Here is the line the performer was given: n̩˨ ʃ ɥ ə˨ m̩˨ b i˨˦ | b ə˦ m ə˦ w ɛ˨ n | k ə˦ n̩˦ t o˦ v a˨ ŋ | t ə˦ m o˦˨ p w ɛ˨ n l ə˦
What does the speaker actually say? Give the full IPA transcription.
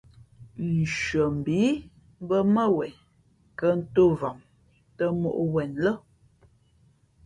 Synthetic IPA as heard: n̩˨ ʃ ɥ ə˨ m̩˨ b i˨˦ | b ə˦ m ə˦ w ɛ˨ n | k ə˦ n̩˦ t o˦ v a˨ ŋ | t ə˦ m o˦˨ ʔ w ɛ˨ n l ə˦

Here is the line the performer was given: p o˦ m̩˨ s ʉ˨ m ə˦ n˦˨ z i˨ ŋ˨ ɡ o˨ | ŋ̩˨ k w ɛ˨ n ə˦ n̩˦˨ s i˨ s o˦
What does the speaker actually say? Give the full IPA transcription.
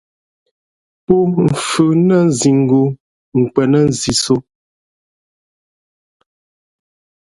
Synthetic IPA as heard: p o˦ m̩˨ f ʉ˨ n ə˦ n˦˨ z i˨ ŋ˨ ɡ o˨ | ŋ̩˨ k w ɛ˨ n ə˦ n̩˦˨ z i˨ s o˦

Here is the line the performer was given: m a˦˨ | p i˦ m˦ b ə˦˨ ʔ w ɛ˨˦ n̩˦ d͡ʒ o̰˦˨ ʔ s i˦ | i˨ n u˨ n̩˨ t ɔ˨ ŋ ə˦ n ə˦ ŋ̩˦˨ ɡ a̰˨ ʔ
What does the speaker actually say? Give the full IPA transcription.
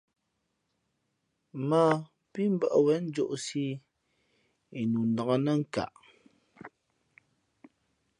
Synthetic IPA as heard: m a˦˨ | p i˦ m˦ b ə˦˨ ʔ w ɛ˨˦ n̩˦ d͡ʒ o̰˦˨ ʔ s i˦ | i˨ n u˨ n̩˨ d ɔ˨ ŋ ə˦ n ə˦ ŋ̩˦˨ k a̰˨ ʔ

